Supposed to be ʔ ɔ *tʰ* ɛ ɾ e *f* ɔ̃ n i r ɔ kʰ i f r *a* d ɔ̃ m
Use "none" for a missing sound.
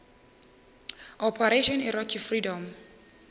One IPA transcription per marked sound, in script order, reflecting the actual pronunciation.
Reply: pʰ, ʃ, i

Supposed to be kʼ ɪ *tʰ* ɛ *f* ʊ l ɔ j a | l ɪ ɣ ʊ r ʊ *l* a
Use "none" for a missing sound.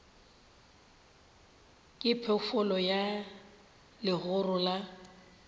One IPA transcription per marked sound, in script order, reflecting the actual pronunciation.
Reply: pʰ, f, l

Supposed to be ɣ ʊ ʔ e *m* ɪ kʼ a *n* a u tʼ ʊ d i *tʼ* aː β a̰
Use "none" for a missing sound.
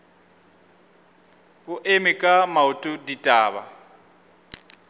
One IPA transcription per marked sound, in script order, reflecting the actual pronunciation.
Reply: m, m, tʼ

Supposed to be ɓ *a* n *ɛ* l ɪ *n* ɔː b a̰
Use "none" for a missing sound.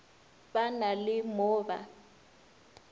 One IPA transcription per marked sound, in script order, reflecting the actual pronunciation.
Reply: a, a, m

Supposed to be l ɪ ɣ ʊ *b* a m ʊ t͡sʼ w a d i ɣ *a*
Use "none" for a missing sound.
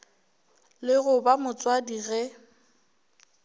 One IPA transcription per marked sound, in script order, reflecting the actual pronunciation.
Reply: b, ɛ

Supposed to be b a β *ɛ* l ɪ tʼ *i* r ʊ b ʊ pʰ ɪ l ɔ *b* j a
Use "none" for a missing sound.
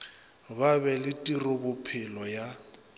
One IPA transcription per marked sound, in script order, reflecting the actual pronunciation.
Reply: ɛ, i, none

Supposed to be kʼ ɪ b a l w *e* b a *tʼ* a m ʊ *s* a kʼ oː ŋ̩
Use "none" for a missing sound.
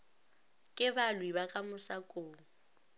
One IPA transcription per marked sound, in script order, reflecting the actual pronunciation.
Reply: i, kʼ, s

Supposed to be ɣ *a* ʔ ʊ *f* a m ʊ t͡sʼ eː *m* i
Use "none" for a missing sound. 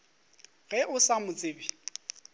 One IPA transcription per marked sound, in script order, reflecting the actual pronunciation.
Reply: ɛ, s, b

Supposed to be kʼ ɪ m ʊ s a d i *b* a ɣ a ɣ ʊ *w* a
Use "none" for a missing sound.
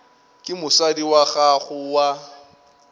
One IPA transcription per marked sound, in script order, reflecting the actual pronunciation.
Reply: w, w

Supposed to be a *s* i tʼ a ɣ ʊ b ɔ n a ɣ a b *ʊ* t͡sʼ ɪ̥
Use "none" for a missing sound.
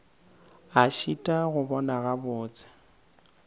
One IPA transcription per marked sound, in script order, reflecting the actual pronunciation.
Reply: ʃ, ʊː

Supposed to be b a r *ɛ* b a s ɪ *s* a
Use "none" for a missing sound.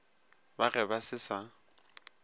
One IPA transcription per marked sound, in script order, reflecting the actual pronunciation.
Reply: ɛ, s

